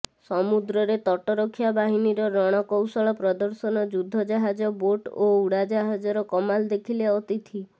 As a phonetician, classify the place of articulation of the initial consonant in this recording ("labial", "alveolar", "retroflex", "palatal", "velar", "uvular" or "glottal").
alveolar